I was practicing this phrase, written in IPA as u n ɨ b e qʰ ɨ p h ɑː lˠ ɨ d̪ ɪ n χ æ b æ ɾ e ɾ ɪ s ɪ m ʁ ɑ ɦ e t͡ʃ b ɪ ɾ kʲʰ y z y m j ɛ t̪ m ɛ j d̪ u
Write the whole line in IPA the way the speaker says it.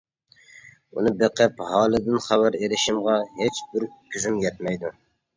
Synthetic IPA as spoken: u n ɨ b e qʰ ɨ p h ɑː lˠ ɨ d̪ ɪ n χ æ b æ ɾ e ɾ ɪ ʃ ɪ m ʁ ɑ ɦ e t͡ʃ b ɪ ɾ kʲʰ y z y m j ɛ t̪ m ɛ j d̪ u

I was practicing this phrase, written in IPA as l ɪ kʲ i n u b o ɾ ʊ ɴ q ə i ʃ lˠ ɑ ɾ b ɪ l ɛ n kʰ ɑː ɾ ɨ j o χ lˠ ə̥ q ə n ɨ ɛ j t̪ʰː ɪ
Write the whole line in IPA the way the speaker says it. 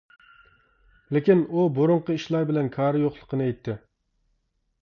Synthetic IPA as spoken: l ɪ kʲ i n u b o ɾ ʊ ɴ q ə i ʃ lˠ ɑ ɾ b ɪ l ɛ n kʰ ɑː ɾ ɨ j o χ lˠ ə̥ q ə n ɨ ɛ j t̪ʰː ɪ

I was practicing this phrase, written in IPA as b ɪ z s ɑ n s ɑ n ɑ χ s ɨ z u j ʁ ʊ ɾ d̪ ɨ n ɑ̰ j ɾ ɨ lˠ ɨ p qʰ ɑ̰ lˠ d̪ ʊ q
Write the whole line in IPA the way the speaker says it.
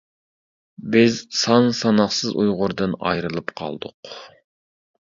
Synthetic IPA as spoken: b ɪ z s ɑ n s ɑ n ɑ χ s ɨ z u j ʁ ʊ ɾ d̪ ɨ n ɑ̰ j ɾ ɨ lˠ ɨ p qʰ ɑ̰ lˠ d̪ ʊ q

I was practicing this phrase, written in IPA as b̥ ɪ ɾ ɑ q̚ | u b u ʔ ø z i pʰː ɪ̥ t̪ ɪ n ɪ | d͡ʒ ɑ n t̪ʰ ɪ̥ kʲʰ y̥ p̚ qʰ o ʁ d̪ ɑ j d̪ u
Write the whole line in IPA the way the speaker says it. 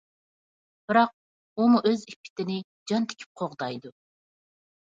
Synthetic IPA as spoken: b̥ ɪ ɾ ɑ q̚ | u m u ʔ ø z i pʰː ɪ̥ t̪ ɪ n ɪ | d͡ʒ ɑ n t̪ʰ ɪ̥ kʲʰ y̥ p̚ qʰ o ʁ d̪ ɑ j d̪ u

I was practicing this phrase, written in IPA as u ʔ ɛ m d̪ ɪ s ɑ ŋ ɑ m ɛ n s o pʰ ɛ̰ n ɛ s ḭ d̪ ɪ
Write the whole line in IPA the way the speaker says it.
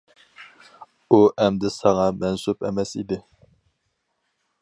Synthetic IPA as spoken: u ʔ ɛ m d̪ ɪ s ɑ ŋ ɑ m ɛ n s u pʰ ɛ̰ m ɛ s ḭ d̪ ɪ

